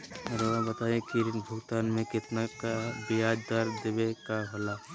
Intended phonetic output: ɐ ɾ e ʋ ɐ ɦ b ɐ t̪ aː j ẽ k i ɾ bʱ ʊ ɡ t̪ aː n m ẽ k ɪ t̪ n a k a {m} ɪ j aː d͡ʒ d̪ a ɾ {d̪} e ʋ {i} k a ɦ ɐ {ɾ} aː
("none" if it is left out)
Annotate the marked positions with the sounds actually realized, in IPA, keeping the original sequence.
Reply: b, d̪, e, l

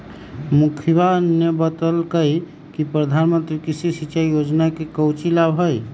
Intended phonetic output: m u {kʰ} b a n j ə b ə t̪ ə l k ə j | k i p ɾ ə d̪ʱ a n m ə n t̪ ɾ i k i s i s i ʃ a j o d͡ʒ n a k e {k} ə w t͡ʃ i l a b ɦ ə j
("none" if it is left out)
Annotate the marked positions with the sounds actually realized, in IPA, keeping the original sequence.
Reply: kʰ, k

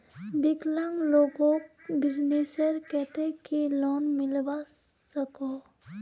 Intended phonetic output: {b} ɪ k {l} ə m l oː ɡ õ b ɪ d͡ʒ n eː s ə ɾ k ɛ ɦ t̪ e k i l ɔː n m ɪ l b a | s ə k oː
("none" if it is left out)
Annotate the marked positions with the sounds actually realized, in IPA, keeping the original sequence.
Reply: b, l

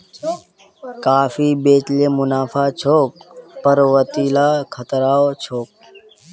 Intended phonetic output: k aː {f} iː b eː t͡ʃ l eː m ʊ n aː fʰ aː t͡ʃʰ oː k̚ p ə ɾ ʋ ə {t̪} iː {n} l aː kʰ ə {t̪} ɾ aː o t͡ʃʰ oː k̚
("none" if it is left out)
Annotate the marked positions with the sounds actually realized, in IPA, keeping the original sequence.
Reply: f, t̪, none, t̪

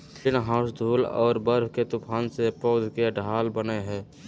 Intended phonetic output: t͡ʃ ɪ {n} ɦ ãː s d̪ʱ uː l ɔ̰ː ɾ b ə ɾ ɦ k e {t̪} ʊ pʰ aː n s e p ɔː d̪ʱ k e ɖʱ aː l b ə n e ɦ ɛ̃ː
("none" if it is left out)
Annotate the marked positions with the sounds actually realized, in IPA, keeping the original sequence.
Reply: n, t̪

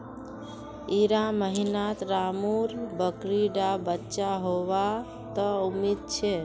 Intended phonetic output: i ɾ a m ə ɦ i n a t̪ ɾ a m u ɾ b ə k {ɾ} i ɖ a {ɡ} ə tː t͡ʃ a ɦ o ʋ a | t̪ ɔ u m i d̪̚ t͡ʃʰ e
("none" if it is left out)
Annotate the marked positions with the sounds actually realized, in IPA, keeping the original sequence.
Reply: ɾ, b

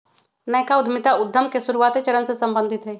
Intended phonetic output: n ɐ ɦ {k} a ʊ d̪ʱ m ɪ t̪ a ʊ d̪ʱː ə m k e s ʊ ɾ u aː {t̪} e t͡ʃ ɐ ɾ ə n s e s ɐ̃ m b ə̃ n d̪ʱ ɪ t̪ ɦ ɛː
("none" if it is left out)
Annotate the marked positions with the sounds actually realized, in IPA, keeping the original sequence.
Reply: k, t̪

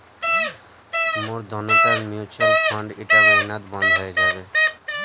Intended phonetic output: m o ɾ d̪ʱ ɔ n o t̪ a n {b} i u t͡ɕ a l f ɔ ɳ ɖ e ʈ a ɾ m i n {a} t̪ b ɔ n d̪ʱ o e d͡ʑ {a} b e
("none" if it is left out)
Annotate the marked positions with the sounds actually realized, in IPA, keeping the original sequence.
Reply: m, a, a

